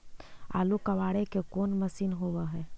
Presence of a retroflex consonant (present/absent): present